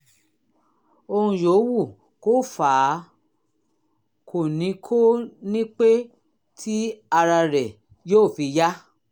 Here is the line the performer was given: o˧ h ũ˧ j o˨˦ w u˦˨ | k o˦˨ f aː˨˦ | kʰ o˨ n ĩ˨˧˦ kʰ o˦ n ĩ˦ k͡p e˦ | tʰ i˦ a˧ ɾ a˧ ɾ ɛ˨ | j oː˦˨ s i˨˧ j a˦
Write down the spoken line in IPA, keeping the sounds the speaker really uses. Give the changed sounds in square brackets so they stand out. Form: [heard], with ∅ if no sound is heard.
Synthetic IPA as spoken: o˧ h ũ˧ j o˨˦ w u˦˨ | k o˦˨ f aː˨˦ | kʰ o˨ n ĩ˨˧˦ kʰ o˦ n ĩ˦ k͡p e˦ | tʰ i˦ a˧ ɾ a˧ ɾ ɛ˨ | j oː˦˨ [f] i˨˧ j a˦

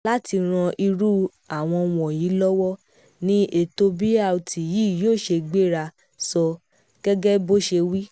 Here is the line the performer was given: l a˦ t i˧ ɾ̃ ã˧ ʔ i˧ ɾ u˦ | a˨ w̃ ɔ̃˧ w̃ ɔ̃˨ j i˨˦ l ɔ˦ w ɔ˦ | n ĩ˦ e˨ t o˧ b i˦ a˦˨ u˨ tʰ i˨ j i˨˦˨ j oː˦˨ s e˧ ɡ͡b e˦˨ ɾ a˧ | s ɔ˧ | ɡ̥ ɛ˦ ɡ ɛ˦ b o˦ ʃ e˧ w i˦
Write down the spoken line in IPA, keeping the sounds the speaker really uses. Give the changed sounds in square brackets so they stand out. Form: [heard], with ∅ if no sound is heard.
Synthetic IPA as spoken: l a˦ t i˧ ɾ̃ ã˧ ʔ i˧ ɾ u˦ | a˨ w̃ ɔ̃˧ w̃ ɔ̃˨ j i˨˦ l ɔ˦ w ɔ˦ | n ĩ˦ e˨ t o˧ b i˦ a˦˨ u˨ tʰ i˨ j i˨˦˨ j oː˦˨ [ʃ] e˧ ɡ͡b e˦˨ ɾ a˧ | s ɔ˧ | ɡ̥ ɛ˦ ɡ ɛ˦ b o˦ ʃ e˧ w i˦

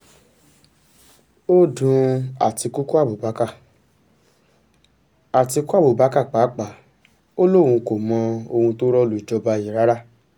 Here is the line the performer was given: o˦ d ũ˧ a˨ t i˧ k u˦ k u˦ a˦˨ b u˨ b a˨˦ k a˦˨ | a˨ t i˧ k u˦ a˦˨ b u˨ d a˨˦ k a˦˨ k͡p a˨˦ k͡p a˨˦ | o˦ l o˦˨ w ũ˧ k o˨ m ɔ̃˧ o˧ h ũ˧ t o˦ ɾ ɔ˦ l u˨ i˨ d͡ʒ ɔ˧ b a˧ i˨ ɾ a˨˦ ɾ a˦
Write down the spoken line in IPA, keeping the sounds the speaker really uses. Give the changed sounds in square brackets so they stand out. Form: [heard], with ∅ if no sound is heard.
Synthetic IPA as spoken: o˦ d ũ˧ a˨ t i˧ k u˦ k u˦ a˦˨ b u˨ b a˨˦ k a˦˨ | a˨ t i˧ k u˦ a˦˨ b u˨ [b] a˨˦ k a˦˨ k͡p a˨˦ k͡p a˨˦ | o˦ l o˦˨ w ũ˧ k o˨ m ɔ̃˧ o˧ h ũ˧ t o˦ ɾ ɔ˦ l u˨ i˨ d͡ʒ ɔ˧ b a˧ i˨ ɾ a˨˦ ɾ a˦

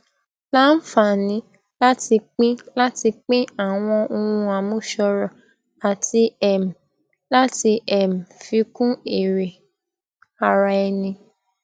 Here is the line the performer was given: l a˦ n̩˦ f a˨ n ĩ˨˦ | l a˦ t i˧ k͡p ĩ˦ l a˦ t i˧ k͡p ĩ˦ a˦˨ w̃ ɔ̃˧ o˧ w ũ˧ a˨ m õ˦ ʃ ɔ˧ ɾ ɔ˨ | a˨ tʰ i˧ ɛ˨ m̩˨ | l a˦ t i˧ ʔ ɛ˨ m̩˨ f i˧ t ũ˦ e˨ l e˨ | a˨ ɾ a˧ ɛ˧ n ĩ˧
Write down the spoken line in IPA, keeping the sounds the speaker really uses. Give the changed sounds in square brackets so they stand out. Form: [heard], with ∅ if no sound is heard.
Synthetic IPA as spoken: l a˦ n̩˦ f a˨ n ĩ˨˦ | l a˦ t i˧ k͡p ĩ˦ l a˦ t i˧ k͡p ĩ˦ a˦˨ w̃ ɔ̃˧ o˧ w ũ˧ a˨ m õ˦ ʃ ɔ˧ ɾ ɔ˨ | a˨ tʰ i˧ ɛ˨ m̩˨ | l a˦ t i˧ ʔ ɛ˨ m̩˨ f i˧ [k] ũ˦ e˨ [ɾ] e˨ | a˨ ɾ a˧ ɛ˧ n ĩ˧

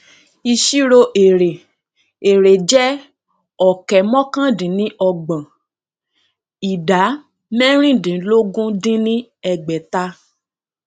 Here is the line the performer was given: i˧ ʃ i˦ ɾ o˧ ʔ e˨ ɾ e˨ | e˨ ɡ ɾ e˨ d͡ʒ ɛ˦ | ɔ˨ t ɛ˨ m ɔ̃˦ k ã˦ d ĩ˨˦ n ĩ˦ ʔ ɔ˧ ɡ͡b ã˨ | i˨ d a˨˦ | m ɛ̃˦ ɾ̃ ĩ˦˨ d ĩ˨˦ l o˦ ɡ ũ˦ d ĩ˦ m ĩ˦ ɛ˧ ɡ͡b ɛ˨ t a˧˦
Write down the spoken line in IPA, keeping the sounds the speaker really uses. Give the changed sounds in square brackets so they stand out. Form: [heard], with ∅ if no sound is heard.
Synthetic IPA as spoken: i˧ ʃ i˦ ɾ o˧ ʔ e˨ ɾ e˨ | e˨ [∅] ɾ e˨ d͡ʒ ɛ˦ | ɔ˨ [k] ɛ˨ m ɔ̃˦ k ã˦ d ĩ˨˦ n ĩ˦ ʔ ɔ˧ ɡ͡b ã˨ | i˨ d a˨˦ | m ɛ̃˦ ɾ̃ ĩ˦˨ d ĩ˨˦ l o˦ ɡ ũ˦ d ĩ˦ [n] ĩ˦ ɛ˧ ɡ͡b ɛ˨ t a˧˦

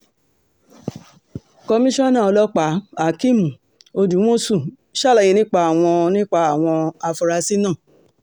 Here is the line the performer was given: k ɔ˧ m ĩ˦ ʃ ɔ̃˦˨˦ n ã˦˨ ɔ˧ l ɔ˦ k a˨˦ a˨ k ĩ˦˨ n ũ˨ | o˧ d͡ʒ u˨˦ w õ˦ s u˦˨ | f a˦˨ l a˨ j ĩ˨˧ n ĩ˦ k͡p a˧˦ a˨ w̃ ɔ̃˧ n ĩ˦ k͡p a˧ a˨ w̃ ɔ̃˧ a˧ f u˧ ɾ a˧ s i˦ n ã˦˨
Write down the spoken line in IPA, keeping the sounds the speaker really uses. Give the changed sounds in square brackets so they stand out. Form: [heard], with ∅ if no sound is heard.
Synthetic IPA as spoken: k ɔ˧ m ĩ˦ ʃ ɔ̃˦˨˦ n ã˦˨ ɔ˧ l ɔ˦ [k͡p] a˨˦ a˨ k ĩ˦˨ [m] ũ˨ | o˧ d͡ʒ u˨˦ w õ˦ s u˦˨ | [ʃ] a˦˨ l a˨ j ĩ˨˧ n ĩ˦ k͡p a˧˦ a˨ w̃ ɔ̃˧ n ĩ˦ k͡p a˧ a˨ w̃ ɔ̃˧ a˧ f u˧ ɾ a˧ s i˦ n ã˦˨

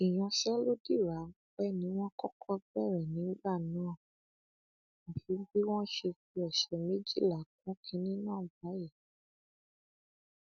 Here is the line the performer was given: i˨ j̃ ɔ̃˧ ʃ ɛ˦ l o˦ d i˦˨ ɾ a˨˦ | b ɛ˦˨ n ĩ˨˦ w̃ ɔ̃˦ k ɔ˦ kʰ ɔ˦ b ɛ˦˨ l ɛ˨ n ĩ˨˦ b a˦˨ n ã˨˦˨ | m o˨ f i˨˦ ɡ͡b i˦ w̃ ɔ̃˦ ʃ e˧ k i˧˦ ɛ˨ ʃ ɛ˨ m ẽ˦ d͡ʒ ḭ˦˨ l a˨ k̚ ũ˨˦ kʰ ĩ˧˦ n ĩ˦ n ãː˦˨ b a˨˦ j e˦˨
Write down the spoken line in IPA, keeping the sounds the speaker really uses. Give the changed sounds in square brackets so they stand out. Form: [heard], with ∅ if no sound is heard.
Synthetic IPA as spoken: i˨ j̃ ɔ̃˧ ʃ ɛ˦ l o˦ d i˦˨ ɾ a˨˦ | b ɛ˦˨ n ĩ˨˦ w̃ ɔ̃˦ k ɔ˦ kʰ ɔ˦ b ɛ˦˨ [ɾ] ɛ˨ n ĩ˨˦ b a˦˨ n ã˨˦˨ | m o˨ f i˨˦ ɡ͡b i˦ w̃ ɔ̃˦ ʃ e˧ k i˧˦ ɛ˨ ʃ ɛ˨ m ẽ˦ d͡ʒ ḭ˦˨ l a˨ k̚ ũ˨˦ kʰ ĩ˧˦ n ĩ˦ n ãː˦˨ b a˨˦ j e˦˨

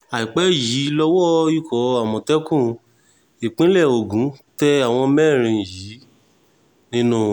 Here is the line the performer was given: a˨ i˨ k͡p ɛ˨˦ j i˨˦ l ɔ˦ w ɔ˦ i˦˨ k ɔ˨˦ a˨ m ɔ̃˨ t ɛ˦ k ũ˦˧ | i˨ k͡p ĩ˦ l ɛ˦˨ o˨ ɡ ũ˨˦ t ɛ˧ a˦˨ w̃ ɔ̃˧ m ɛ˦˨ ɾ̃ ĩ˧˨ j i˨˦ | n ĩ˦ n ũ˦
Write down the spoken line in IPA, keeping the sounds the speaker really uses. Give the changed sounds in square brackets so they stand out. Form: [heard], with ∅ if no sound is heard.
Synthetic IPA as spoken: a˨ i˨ k͡p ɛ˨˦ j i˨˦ l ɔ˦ w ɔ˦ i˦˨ k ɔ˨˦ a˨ m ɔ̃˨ t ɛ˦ k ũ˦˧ | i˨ k͡p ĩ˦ l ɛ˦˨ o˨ ɡ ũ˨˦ t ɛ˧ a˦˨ w̃ ɔ̃˧ m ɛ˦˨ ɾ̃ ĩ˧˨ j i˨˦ | n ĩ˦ n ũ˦

